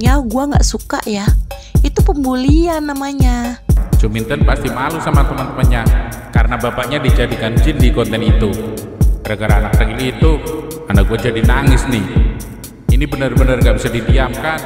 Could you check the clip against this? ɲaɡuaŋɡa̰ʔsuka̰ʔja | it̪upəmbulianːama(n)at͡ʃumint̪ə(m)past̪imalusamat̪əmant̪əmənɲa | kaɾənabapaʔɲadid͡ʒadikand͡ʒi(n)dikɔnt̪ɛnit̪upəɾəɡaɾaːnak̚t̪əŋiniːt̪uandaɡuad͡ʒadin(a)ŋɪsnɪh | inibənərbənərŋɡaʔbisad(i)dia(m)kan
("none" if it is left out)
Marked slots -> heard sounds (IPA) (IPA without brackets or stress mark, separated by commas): ɲ, n, n, a, i, m